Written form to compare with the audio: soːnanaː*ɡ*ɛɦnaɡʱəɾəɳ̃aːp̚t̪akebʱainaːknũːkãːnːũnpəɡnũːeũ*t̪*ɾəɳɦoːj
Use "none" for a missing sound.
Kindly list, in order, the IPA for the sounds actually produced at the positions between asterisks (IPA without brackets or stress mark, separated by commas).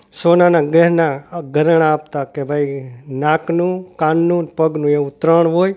ɡ, t̪